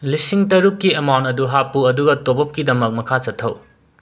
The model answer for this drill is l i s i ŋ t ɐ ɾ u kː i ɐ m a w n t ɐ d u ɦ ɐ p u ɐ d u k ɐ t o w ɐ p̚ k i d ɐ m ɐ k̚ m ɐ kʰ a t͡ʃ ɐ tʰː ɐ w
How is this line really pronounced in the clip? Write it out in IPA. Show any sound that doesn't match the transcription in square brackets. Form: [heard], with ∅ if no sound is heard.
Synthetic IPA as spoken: l i s i ŋ t ɐ ɾ u kː i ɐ m a w n t ɐ d u ɦ [a] p u ɐ d u [ɡ] ɐ t o [b] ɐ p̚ k i d ɐ m ɐ k̚ m ɐ kʰ a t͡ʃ ɐ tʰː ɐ w